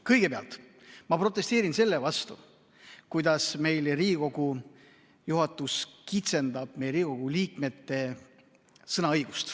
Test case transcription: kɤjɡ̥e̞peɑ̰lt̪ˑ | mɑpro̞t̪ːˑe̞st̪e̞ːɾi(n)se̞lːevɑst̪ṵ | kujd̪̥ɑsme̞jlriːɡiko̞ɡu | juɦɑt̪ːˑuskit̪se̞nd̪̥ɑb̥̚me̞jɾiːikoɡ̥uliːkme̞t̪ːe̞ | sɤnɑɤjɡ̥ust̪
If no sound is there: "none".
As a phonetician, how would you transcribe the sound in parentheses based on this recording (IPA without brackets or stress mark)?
n